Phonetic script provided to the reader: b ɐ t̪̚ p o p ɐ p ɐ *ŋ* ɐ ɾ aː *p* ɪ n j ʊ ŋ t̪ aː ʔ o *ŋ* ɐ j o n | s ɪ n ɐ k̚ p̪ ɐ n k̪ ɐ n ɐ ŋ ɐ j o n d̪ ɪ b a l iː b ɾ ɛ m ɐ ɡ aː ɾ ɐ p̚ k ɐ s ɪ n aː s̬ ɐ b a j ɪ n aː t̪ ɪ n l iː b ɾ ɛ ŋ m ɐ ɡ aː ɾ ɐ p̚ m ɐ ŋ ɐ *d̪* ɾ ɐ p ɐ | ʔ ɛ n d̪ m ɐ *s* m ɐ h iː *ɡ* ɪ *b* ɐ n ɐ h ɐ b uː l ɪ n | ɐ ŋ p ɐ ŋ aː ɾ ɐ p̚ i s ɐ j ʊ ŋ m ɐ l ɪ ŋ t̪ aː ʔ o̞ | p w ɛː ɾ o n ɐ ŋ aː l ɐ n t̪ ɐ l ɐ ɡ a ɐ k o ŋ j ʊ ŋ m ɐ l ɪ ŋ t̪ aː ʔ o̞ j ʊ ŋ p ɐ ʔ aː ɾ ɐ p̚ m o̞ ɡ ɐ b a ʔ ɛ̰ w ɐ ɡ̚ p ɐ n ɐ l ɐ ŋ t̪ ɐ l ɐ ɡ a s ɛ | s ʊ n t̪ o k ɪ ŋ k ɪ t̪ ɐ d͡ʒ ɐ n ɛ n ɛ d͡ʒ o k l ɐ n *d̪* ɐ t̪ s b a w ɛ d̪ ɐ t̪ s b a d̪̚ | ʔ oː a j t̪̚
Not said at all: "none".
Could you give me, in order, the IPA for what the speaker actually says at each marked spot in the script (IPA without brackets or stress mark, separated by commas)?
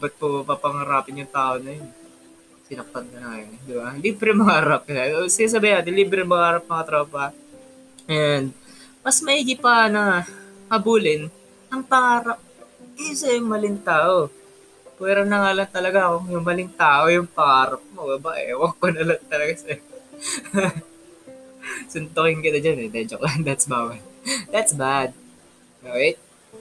ŋ, p, n, t̪, s, ɡ, p, d̪